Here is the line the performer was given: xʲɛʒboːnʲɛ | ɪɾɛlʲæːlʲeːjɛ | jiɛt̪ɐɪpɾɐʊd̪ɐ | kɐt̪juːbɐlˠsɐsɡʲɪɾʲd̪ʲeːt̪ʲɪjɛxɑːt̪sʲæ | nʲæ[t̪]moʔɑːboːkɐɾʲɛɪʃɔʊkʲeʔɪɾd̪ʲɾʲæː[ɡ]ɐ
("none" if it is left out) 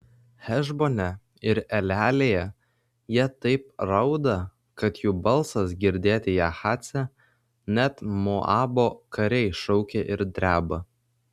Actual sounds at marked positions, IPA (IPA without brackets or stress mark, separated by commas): t̪, b